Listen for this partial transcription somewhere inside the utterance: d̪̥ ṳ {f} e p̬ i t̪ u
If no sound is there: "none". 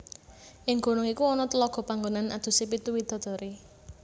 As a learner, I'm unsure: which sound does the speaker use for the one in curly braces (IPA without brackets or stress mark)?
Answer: s